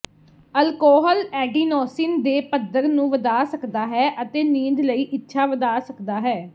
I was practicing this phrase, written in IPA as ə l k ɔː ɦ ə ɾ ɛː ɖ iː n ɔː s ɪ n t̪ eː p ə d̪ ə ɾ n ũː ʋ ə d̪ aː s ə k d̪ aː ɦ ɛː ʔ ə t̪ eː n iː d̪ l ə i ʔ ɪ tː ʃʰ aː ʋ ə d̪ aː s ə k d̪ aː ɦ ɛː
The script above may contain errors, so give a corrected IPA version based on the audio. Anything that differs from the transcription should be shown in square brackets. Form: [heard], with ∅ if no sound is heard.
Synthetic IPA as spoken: ə l k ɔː ɦ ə [l] ɛː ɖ iː n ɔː s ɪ n [d̪] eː p ə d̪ ə ɾ n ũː ʋ ə d̪ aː s ə k d̪ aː ɦ ɛː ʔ ə t̪ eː n iː d̪ l ə [iː] ʔ ɪ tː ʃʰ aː ʋ ə d̪ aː s ə k d̪ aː ɦ ɛː